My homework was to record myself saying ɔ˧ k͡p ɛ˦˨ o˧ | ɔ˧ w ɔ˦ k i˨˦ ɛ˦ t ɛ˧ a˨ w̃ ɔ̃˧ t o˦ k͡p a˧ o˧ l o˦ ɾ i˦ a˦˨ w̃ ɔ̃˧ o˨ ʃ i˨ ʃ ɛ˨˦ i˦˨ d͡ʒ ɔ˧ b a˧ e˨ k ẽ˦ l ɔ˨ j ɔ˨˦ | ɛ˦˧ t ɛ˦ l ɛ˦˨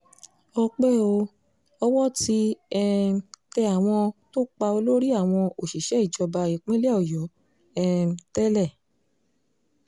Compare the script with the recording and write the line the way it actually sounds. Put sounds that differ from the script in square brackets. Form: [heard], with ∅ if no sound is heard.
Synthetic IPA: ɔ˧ k͡p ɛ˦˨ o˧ | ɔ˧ w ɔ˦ [t] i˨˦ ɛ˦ t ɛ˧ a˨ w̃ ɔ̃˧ t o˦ k͡p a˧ o˧ l o˦ ɾ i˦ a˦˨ w̃ ɔ̃˧ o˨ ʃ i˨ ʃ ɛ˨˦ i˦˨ d͡ʒ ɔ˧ b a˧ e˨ [k͡p] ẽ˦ l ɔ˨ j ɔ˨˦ | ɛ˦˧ t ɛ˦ l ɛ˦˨